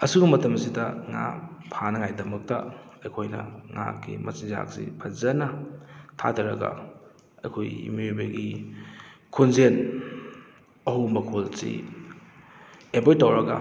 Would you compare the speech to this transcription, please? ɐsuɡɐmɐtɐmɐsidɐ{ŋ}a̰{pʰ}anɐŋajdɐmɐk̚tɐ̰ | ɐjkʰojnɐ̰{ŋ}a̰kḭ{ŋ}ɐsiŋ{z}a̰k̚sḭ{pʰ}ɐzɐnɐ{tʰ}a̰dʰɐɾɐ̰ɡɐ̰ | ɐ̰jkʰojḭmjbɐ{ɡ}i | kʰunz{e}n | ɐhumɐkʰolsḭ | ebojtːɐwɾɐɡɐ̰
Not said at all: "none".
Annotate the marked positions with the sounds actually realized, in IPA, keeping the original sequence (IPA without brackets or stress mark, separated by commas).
ŋ, pʰ, ŋ, m, z, pʰ, tʰ, ɡ, e